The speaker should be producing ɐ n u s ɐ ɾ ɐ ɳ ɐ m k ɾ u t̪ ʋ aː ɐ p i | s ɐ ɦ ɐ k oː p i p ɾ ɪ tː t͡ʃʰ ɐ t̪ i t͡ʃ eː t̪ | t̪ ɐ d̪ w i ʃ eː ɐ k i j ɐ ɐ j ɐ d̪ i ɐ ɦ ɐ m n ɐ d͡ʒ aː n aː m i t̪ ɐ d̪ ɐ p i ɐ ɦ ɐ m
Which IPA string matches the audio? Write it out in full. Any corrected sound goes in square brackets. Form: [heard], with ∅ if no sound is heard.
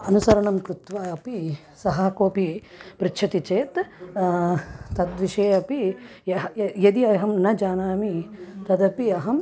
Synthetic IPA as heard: ɐ n u s ɐ ɾ ɐ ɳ ɐ m k ɾ u t̪ ʋ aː ɐ p i | s ɐ ɦ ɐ k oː p i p ɾ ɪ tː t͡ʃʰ ɐ t̪ i t͡ʃ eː t̪ | t̪ ɐ d̪ [ʋ] i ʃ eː ɐ [p] i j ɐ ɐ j ɐ d̪ i ɐ ɦ ɐ m n ɐ d͡ʒ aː n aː m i t̪ ɐ d̪ ɐ p i ɐ ɦ ɐ m